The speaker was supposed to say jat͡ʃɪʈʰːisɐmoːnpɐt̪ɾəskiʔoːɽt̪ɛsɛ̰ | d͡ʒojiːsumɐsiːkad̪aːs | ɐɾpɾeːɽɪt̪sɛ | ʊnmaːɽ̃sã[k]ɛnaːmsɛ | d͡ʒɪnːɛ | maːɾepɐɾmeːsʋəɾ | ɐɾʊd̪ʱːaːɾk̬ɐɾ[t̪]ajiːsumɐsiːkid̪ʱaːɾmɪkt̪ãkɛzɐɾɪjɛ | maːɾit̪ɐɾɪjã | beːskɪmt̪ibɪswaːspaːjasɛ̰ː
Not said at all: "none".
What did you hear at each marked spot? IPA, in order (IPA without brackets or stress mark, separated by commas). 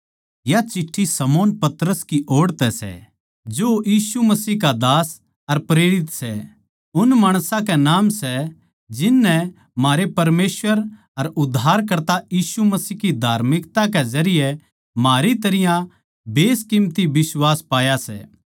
k, t̪